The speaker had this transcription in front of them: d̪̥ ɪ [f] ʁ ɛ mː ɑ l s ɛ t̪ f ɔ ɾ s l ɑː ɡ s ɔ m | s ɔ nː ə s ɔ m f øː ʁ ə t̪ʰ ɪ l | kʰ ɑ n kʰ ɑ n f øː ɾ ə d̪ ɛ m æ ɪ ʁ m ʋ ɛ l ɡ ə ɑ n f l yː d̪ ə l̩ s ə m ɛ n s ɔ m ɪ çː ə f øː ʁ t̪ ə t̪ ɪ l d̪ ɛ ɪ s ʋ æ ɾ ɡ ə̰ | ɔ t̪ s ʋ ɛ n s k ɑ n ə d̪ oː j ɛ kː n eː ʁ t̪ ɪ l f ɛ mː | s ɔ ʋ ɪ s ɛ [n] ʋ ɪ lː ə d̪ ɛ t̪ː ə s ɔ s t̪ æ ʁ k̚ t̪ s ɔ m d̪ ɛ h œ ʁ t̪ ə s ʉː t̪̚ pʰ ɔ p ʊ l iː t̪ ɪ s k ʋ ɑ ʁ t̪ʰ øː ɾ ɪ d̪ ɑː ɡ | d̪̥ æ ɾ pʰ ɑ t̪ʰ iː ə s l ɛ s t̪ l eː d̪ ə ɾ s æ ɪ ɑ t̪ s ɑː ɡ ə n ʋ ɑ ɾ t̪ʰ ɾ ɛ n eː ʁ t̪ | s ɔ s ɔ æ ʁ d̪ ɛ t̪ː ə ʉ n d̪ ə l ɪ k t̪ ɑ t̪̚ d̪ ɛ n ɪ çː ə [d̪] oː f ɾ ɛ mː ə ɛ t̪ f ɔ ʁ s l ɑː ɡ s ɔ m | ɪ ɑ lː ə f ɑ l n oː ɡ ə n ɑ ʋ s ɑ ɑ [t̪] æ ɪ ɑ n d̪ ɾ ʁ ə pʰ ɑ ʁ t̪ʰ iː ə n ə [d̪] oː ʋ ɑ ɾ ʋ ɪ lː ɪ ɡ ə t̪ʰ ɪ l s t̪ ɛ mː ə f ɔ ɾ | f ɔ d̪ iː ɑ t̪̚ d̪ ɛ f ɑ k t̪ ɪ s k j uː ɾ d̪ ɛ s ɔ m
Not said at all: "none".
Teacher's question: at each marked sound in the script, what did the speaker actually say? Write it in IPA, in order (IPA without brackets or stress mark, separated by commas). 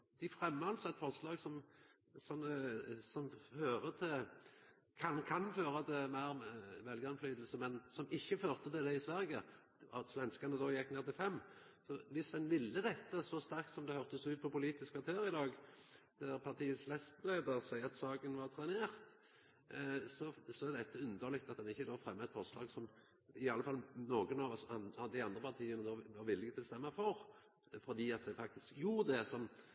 f, n, d̪, d̪, d̪